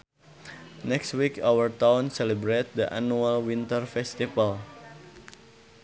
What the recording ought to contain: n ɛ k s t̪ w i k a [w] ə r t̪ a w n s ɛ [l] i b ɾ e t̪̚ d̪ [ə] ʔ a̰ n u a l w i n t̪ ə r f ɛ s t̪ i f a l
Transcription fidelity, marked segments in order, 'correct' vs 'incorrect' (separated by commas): correct, correct, correct